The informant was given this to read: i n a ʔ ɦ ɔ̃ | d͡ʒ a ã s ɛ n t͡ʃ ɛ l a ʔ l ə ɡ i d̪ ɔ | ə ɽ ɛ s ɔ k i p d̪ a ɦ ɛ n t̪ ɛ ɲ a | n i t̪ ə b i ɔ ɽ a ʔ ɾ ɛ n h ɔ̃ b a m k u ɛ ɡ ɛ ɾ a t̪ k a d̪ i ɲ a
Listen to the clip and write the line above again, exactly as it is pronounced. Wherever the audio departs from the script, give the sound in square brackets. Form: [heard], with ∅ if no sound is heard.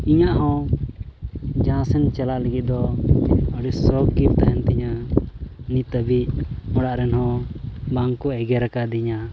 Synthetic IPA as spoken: i [ɲ] a ʔ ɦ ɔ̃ | d͡ʒ a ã s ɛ n t͡ʃ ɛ l a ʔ l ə ɡ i d̪ ɔ | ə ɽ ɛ s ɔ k i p [t̪] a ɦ ɛ n t̪ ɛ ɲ a | n i t̪ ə b i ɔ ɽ a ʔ ɾ ɛ n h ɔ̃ b a [ŋ] k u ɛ ɡ ɛ ɾ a [∅] k a d̪ i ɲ a